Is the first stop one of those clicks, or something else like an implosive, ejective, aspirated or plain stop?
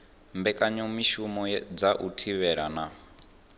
plain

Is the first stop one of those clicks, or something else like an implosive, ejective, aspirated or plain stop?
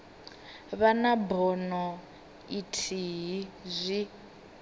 plain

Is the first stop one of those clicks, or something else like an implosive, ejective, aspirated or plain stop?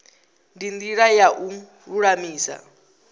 plain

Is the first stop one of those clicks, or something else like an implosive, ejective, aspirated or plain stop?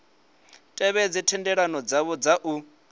ejective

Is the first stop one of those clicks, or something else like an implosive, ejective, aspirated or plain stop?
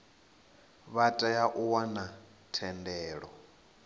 ejective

